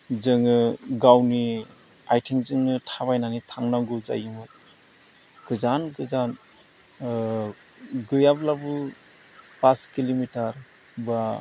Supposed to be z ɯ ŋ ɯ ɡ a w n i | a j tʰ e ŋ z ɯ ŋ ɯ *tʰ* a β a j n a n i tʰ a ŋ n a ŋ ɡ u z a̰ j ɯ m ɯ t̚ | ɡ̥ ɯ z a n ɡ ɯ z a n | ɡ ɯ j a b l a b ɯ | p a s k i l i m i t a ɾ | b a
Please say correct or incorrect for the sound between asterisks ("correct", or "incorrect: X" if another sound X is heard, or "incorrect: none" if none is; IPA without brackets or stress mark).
correct